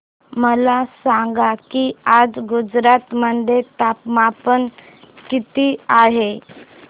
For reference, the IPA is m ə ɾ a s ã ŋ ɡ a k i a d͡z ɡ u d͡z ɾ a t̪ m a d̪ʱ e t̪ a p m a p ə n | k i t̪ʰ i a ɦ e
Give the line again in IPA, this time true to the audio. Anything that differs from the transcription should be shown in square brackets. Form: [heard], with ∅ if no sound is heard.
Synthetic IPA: m ə [l] a s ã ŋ ɡ a k i a d͡z ɡ u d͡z ɾ a t̪ m [ə] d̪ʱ e t̪ a p m a p ə n | k i [t̪] i a ɦ e